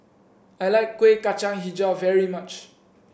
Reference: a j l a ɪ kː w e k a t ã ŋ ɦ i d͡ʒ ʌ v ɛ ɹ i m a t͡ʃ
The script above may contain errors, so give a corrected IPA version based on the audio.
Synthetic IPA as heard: a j l a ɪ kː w e k a t͡ʃ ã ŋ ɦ i d͡ʒ a v ɛ ɹ i m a t͡ʃ